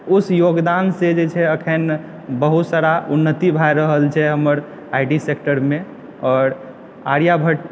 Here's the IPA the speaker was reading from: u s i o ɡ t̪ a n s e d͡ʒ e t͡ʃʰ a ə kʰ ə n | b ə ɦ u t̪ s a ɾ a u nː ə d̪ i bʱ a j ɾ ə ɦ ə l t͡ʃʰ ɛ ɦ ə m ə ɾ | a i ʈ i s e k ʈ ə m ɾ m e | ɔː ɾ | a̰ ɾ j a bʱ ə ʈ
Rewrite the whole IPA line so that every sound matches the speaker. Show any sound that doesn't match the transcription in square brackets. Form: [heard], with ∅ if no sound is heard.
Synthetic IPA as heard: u s [j] o ɡ [d̪] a n s e d͡ʒ e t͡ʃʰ [ɛ] ə kʰ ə n | b ə ɦ u t̪ s a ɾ a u nː ə [t̪] i bʱ a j ɾ ə ɦ ə l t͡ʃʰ ɛ ɦ ə m ə ɾ | a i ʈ i s e k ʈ ə [∅] ɾ m e | ɔː ɾ | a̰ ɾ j a bʱ ə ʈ